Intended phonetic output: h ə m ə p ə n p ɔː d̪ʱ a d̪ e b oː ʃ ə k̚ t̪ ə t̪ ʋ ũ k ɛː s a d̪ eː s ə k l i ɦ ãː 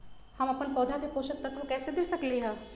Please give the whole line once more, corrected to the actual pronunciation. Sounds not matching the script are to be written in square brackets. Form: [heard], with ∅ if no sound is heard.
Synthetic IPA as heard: h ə m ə p ə n p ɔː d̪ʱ a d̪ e [p] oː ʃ ə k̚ t̪ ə t̪ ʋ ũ k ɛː s [e] d̪ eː s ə k l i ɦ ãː